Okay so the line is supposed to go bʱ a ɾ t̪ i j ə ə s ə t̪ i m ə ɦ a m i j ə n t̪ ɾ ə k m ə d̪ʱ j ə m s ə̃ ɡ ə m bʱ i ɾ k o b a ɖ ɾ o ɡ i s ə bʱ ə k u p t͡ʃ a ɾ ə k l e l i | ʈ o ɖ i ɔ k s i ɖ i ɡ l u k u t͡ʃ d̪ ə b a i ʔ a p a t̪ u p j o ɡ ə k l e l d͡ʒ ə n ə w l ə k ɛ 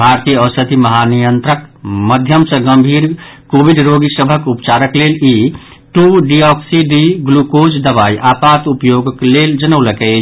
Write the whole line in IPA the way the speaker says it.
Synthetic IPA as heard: bʱ a ɾ t̪ i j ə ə s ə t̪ i m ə ɦ a n i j ə n t̪ ɾ ə k m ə d̪ʱ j ə m s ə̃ ɡ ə m bʱ i ɾ k o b i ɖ ɾ o ɡ i s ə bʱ ə k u p t͡ʃ a ɾ ə k l e l i | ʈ u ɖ i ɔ k s i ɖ i ɡ l u k o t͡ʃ d̪ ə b a i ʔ a p a t̪ u p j o ɡ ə k l e l d͡ʒ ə n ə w l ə k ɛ